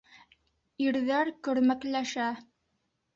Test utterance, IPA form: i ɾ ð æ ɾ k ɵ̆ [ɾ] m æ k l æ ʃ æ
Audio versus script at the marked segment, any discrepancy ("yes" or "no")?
no